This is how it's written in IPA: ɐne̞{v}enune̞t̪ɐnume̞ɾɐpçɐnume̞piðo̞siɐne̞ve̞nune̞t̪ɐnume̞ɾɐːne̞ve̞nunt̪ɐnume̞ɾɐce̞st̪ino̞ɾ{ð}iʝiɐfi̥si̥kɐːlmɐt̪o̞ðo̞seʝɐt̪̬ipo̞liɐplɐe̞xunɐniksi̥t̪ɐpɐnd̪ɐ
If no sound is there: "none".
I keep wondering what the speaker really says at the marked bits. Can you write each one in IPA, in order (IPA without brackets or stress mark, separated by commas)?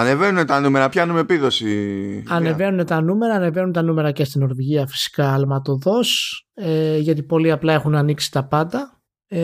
v, v